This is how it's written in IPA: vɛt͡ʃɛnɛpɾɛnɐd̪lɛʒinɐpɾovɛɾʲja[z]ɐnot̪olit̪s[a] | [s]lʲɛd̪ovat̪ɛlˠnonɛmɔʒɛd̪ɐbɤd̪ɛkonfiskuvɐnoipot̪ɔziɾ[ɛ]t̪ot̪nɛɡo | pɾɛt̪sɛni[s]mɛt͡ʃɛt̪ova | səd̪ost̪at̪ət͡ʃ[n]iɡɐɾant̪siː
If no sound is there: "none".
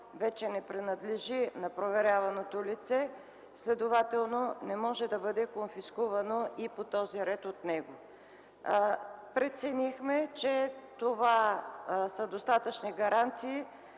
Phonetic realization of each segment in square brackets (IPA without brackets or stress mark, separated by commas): v, ɛ, s, ɛ, x, n